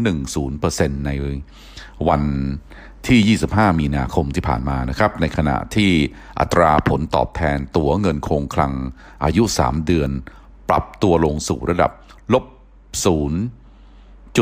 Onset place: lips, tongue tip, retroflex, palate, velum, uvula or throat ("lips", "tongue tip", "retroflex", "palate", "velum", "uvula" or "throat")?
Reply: tongue tip